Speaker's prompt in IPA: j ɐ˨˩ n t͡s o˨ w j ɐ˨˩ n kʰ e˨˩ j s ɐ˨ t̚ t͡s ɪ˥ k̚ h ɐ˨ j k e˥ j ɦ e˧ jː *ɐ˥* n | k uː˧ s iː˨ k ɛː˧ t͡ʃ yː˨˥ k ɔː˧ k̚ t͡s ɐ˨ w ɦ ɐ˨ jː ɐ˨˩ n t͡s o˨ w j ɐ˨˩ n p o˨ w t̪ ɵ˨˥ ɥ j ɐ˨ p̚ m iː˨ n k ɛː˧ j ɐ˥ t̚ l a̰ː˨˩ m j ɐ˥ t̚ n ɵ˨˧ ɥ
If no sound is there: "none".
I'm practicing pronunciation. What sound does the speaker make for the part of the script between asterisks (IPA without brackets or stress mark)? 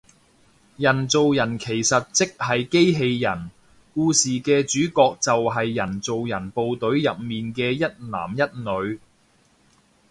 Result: ɐ˨˩